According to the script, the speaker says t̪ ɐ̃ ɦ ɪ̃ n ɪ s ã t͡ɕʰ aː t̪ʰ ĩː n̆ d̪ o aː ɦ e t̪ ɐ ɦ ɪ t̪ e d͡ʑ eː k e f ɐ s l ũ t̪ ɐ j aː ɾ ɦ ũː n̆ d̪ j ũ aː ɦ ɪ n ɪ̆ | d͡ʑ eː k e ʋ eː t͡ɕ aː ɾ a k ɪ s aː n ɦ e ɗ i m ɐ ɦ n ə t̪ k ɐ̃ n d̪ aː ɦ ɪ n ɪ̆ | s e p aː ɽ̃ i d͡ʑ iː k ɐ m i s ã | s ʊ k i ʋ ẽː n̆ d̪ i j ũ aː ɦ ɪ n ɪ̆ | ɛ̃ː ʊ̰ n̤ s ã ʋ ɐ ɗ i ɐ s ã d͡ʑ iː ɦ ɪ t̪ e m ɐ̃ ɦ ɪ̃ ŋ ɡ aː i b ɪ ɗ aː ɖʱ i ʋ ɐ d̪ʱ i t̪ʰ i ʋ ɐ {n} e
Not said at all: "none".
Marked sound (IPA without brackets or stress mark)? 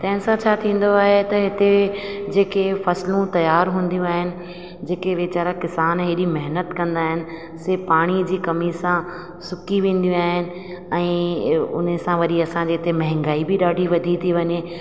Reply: ɲ